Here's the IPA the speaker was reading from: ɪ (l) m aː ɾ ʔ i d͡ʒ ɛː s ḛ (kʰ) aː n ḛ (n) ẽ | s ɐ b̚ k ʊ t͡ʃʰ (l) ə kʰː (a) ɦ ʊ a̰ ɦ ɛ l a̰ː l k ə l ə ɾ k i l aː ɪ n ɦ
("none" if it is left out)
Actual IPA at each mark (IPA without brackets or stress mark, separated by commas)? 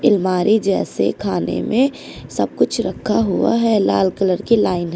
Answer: l, kʰ, m, ɾ, a